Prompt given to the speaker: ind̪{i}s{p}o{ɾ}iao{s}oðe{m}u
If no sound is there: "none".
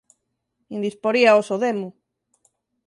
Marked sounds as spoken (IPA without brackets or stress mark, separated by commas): i, p, ɾ, s, m